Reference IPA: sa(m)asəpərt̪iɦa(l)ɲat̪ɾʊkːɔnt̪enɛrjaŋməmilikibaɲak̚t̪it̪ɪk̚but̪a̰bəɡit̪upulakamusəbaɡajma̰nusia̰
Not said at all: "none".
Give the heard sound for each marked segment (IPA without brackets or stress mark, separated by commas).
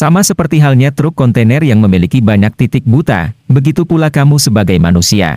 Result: m, l